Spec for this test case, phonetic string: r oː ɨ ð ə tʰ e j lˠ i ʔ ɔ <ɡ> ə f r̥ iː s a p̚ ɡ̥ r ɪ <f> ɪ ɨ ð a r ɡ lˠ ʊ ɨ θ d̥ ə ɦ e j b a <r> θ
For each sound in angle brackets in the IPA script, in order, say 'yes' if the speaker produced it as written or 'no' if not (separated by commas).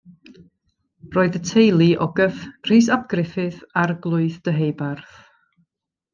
yes, yes, yes